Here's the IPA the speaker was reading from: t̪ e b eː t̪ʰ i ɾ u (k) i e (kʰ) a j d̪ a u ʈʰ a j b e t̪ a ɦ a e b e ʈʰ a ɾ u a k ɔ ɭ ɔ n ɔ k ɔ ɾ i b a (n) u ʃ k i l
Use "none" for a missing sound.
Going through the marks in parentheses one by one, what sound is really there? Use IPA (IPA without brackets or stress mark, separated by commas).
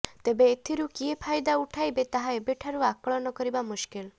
k, pʰ, m